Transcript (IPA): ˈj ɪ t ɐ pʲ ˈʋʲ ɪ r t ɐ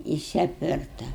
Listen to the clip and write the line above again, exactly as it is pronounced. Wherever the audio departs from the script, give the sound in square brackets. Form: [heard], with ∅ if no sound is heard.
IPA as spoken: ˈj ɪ [s] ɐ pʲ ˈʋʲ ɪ r t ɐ